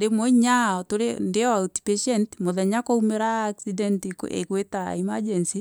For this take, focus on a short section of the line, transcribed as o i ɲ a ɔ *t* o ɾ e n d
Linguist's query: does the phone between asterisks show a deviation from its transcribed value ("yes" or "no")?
no